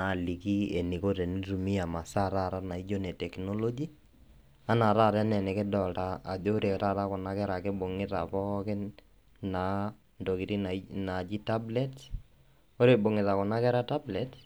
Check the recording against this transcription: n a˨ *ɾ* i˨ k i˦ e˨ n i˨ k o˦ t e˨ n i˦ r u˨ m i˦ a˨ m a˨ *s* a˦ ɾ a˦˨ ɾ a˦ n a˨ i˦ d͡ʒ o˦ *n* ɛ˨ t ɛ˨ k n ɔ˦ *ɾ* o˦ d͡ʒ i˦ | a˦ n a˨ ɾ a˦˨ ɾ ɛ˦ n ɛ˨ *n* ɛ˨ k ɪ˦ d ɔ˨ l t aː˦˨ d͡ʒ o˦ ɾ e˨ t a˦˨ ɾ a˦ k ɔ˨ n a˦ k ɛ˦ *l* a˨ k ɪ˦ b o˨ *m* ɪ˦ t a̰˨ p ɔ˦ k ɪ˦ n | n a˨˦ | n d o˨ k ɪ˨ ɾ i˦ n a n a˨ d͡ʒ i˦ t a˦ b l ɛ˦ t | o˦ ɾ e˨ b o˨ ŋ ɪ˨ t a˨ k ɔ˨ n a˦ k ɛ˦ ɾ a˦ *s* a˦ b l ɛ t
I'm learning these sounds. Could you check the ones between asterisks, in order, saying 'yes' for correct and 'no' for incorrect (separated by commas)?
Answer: no, yes, yes, no, yes, no, no, no